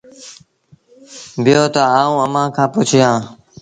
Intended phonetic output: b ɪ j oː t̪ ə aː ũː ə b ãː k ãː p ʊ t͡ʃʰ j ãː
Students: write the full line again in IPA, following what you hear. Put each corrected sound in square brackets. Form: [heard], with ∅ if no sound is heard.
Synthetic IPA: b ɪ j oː t̪ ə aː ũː ə [m] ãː [kʰ] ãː p ʊ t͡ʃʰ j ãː